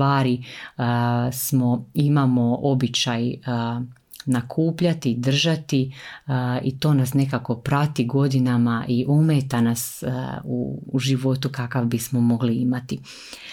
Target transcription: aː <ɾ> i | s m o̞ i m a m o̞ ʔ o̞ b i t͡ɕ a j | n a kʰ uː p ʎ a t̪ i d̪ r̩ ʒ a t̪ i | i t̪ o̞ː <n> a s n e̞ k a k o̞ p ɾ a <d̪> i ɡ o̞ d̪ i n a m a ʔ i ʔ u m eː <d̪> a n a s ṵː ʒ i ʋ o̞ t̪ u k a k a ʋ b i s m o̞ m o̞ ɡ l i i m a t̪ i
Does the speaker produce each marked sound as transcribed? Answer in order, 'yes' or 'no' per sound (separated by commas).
yes, yes, no, no